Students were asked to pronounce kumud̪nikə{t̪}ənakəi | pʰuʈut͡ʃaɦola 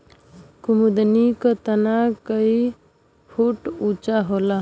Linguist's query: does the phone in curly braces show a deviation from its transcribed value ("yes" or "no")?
no